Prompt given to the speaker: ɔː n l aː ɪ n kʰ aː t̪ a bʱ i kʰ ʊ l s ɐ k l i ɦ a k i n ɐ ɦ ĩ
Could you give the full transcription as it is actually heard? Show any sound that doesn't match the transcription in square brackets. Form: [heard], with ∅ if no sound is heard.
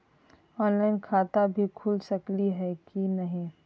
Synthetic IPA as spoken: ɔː n l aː ɪ n kʰ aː t̪ a bʱ i kʰ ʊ l s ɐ k l i ɦ [ɛ] k i n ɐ ɦ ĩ

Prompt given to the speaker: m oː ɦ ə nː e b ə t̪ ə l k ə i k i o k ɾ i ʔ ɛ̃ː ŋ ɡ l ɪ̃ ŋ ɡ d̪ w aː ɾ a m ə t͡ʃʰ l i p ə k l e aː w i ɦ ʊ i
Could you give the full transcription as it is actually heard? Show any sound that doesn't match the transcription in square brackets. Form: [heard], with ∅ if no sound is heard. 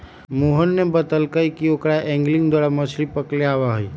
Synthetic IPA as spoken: m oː ɦ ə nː e b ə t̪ ə l k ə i k i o k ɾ [a] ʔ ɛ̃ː ŋ ɡ l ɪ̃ ŋ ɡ d̪ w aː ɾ a m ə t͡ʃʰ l i p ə k l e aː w [a] ɦ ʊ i

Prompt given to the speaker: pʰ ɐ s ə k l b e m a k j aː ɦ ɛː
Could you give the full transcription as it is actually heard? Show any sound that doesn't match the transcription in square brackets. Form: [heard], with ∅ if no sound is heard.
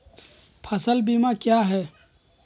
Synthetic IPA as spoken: pʰ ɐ s ə [∅] l b [i] m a k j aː ɦ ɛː

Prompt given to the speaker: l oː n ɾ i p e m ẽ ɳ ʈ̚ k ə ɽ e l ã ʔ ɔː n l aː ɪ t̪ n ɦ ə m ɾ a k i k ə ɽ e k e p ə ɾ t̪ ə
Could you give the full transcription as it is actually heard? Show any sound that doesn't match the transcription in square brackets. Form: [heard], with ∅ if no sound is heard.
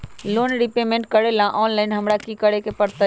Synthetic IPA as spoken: l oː n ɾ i p e m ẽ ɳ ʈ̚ k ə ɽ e l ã ʔ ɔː n l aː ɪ [∅] n ɦ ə m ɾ a k i k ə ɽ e k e p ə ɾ t̪ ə

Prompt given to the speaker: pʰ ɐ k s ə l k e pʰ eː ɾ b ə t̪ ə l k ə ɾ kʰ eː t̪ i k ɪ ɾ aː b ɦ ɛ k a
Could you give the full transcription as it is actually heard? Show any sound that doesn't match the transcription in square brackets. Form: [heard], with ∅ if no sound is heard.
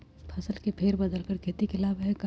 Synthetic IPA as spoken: pʰ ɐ [∅] s ə l k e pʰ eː ɾ b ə [d̪] ə l k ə ɾ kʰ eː t̪ i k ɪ [l] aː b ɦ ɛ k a

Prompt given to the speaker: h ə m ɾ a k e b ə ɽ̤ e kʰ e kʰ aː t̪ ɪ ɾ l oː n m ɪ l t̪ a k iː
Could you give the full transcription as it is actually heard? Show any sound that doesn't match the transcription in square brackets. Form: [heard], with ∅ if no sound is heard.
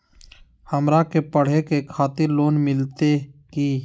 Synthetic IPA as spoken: h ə m ɾ a k e [p] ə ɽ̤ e [k] e kʰ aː t̪ ɪ ɾ l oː n m ɪ l t̪ [e] k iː

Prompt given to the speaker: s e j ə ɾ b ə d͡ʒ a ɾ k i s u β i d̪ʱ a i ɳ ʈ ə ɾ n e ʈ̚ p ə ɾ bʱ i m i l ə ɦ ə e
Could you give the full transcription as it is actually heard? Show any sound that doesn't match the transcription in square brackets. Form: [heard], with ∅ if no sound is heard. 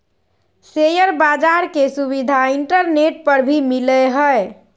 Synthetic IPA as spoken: s e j ə ɾ b [a] d͡ʒ a ɾ k [e] s u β i d̪ʱ a i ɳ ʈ ə ɾ n e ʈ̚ p ə ɾ bʱ i m i l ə ɦ ə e

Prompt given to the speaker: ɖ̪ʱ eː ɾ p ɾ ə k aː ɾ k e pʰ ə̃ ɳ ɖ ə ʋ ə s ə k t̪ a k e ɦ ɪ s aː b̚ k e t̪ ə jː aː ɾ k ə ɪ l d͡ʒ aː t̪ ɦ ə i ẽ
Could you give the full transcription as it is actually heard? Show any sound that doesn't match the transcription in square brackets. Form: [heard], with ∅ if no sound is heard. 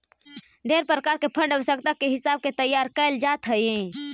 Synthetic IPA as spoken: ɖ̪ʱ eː ɾ p ɾ ə k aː ɾ k e pʰ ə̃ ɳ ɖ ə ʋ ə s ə k t̪ a k e ɦ ɪ s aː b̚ k e t̪ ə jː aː ɾ k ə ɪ l d͡ʒ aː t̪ ɦ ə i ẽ

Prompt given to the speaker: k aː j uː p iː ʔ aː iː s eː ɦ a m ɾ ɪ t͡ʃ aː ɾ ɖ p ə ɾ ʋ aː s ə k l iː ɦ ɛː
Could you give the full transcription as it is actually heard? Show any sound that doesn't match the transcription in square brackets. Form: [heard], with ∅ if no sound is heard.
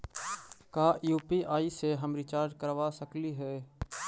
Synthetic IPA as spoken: k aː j uː p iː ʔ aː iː s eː ɦ [ə] m ɾ ɪ t͡ʃ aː ɾ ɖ [k] ə ɾ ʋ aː s ə k l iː ɦ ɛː

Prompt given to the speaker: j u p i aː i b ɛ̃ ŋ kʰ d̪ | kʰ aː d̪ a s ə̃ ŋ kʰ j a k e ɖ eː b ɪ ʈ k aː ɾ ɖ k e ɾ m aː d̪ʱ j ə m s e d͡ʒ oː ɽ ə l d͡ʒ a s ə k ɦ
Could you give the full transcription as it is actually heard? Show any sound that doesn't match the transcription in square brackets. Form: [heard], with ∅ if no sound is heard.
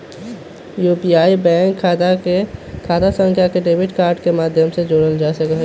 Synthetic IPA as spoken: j u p i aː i b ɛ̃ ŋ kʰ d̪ | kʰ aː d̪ a s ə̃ ŋ kʰ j a k e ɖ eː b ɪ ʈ k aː ɾ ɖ k e [∅] m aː d̪ʱ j ə m s e d͡ʒ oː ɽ ə l d͡ʒ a s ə k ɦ

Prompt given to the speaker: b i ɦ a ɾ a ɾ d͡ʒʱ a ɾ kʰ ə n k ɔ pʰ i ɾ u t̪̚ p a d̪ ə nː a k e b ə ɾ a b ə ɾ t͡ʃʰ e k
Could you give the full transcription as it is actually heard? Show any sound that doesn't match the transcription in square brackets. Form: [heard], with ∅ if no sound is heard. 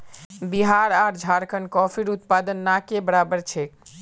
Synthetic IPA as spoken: b i ɦ a ɾ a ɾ d͡ʒʱ a ɾ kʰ ə n k ɔ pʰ i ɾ u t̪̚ p a d̪ ə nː a k e b ə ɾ a b ə ɾ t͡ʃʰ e k

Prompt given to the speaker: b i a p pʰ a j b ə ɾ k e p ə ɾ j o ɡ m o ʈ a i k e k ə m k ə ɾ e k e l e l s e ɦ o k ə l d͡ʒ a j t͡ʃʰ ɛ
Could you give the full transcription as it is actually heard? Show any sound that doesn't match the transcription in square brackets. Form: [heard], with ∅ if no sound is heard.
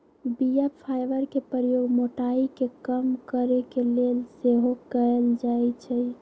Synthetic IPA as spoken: b i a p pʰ a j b ə ɾ k e p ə ɾ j o ɡ m o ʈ a i k e k ə m k ə ɾ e k e l e l s e ɦ o k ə l d͡ʒ a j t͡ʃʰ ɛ

